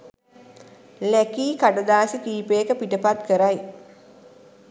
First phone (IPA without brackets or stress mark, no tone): l